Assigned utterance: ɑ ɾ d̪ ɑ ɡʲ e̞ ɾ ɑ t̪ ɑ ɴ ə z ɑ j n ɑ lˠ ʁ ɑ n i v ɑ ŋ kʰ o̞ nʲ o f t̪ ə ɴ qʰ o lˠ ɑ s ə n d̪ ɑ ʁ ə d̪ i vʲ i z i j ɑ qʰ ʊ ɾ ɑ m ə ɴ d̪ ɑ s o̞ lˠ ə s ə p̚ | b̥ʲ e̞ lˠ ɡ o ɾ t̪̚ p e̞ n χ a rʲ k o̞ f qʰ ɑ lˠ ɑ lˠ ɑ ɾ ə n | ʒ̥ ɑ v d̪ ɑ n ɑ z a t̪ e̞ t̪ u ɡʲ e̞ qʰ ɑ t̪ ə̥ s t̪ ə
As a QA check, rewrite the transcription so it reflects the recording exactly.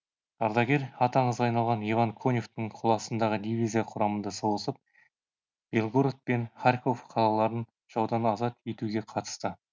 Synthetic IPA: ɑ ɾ d̪ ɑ ɡʲ e̞ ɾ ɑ t̪ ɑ ɴ ə z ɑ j n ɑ lˠ ʁ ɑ n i v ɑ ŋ kʰ o̞ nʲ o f t̪ ə ɴ qʰ o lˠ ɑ s ə n d̪ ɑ ʁ ə d̪ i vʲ i z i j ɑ qʰ ʊ ɾ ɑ m ə n d̪ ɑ s o̞ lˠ ə s ə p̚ | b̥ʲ e̞ lˠ ɡ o ɾ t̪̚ p e̞ n χ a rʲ k o̞ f qʰ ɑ lˠ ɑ lˠ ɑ ɾ ə n | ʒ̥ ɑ w d̪ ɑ n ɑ z ɑ t̪ e̞ t̪ u ɡʲ e̞ qʰ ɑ t̪ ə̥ s t̪ ə